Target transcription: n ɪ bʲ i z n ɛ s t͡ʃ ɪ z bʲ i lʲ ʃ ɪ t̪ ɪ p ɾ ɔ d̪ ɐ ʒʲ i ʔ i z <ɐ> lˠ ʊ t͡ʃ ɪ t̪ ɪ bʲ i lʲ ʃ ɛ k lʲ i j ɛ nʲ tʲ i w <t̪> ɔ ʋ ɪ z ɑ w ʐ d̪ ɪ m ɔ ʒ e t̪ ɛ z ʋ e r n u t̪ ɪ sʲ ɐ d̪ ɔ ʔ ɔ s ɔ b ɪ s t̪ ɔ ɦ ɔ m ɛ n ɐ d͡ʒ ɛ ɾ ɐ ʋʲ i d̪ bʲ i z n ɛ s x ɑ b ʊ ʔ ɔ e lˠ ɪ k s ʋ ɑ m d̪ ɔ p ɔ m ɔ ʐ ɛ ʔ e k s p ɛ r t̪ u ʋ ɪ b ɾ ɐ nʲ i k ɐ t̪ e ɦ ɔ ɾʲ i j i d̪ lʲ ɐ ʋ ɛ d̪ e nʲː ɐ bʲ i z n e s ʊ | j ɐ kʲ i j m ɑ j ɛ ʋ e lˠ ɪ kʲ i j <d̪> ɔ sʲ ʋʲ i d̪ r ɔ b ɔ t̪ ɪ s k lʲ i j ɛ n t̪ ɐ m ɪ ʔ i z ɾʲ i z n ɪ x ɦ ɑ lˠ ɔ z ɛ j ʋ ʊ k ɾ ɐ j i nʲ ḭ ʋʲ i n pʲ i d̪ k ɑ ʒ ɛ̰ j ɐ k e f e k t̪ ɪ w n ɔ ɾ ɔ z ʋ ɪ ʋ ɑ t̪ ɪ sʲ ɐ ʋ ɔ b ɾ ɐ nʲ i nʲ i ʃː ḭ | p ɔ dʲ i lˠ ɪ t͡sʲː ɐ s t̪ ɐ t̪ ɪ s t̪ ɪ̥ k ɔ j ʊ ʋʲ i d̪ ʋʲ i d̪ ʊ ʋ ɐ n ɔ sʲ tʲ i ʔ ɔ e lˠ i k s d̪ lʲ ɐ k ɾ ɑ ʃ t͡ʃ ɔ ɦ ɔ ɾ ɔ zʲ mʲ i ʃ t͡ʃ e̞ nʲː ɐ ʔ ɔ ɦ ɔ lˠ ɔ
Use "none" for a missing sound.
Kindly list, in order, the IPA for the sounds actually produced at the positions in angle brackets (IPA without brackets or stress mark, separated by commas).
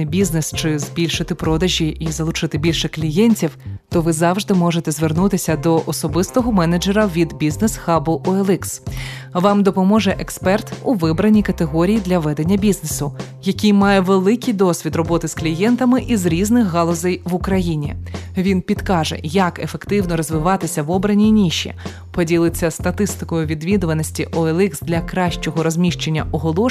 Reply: ɐ, t̪, d̪